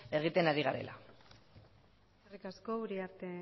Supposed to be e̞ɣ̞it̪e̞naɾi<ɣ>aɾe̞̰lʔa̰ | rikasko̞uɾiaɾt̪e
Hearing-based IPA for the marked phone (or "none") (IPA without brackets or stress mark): ɣ